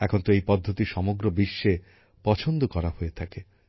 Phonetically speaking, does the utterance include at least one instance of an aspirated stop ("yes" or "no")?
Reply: yes